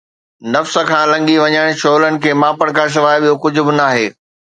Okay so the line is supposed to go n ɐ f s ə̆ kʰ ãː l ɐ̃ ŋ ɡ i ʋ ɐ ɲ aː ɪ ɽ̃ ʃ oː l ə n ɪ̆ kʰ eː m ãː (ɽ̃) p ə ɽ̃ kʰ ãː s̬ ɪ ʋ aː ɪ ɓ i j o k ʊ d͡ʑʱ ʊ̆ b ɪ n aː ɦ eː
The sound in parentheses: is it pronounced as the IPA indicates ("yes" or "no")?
no